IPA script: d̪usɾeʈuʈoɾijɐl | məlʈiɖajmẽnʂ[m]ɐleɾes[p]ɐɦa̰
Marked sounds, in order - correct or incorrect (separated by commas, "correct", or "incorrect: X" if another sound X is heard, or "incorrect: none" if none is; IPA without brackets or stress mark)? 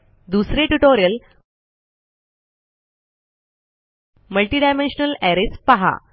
incorrect: n, correct